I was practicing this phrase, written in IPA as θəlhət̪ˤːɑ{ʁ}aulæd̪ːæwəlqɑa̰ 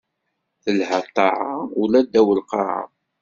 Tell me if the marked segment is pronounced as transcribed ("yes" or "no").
no